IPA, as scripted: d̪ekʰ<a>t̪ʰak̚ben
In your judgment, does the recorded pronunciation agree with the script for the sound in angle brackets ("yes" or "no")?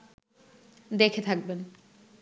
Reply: no